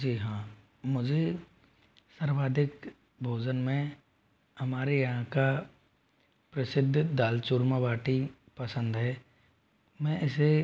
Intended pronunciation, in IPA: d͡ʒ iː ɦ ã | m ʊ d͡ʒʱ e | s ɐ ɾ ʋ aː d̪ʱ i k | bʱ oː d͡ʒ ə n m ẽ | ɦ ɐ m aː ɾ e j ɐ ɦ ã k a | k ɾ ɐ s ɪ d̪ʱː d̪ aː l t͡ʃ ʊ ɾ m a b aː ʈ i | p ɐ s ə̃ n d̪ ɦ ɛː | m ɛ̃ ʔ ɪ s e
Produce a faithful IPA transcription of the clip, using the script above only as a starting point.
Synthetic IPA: d͡ʒ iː ɦ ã | m ʊ d͡ʒʱ e | s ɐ ɾ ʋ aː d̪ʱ ɪ k | bʱ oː d͡ʒ ə n m ẽ | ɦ ɐ m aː ɾ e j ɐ ɦ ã k a | p ɾ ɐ s ɪ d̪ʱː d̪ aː l t͡ʃ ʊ ɾ m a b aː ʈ i | p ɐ s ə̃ n d̪ ɦ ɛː | m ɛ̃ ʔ ɪ s e